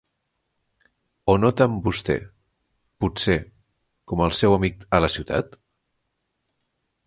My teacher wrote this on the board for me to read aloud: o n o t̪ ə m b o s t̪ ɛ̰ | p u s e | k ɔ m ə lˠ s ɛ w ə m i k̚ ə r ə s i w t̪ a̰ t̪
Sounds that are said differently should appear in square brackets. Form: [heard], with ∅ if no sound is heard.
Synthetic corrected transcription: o n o t̪ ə m b [u] s t̪ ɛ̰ | p u s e | k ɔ m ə lˠ s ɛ w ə m i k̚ ə [l] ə s i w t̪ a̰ t̪